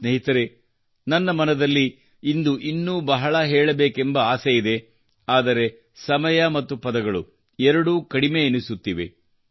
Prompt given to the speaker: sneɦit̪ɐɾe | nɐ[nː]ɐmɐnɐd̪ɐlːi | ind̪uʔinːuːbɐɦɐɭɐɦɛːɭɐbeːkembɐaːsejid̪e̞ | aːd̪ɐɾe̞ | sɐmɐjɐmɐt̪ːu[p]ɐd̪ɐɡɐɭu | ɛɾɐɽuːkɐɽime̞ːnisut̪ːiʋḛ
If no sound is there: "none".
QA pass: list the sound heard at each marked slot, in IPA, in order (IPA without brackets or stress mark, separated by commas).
nː, p